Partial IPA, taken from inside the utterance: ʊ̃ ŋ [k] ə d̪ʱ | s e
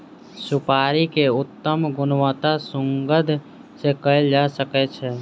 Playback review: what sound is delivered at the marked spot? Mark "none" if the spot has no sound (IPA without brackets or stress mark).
ɡ